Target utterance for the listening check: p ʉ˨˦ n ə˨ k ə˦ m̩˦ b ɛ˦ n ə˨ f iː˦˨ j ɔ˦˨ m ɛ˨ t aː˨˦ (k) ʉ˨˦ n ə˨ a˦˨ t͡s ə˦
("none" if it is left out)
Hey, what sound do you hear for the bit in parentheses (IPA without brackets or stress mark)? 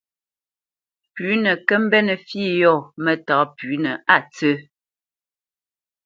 p